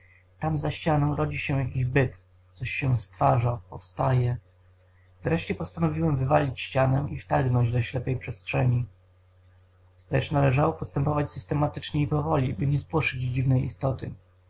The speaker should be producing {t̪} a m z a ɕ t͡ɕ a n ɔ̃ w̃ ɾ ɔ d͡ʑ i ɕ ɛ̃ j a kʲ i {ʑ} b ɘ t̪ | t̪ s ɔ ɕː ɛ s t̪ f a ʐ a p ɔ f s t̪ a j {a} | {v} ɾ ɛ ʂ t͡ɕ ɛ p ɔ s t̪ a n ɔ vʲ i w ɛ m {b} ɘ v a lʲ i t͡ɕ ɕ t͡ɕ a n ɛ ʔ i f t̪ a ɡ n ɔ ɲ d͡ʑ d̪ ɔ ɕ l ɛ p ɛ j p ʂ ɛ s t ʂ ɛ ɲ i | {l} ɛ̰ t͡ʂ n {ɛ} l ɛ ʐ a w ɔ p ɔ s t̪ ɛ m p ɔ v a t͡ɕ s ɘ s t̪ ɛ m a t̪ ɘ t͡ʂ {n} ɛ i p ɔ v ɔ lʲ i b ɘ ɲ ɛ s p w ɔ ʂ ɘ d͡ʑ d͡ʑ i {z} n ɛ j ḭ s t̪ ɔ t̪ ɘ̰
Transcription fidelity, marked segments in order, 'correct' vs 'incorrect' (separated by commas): correct, correct, incorrect, correct, incorrect, correct, incorrect, incorrect, incorrect